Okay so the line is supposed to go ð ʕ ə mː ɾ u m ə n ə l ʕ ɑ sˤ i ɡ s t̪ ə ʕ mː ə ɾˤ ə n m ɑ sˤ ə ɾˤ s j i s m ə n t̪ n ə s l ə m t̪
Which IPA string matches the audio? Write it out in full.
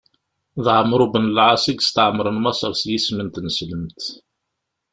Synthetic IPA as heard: ð ʕ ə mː ɾ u b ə n ə l ʕ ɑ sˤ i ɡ s t̪ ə ʕ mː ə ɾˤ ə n m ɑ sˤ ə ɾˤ s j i s m ə n t̪ n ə s l ə m t̪